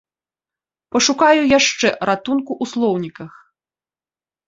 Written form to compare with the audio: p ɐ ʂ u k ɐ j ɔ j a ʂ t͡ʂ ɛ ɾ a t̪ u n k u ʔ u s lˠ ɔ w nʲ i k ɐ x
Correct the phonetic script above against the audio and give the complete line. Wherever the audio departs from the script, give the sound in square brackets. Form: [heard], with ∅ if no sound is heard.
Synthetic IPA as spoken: p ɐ ʂ u k [a] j [u] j a ʂ t͡ʂ ɛ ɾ a t̪ u n k u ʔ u s lˠ ɔ w nʲ i k ɐ x